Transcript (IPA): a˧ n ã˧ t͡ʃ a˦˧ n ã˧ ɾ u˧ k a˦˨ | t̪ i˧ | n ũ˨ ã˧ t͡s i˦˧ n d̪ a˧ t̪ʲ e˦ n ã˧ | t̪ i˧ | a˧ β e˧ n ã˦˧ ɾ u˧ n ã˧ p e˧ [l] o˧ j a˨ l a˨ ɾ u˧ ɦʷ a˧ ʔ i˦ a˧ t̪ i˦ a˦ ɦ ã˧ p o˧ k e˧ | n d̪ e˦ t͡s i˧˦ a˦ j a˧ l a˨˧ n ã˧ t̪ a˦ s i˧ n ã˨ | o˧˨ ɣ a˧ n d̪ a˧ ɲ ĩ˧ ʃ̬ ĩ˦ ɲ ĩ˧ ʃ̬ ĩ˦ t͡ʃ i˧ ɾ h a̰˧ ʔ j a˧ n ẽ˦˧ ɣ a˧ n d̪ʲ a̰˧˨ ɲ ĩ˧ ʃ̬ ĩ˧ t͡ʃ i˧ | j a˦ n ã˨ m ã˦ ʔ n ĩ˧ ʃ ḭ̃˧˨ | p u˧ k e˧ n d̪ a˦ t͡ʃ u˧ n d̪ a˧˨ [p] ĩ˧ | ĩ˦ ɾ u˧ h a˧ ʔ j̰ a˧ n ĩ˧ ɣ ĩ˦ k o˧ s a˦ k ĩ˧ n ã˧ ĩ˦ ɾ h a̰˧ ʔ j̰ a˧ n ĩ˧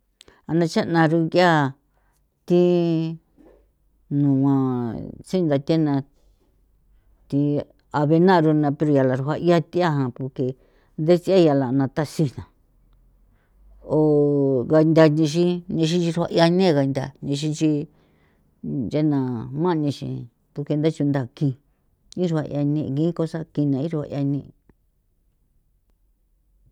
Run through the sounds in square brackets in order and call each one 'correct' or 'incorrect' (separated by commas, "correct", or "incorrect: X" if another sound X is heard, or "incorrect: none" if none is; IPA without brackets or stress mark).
incorrect: ɾ, incorrect: k